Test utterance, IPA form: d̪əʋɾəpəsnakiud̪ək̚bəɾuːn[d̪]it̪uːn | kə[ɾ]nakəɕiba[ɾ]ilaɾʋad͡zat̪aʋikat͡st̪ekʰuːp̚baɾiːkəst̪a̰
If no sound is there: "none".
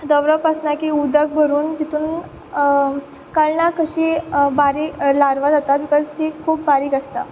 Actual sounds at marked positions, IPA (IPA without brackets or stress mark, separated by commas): t̪, ɭ, ɾ